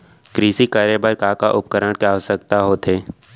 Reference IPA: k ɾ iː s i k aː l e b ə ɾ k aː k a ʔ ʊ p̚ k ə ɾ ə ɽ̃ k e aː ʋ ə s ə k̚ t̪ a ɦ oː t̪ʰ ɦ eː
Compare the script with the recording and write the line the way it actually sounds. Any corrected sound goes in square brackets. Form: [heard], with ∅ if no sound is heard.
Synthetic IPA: k ɾ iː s i k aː [ɾ] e b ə ɾ k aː k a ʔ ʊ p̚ k ə ɾ ə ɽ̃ k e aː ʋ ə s ə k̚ t̪ a ɦ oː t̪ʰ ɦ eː